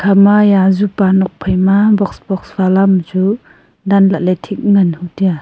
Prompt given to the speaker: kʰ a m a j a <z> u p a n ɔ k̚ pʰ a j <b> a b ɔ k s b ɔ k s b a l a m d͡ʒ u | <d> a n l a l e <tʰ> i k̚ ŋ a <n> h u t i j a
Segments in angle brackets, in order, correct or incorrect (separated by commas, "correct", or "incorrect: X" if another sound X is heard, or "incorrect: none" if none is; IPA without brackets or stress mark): correct, incorrect: m, correct, correct, correct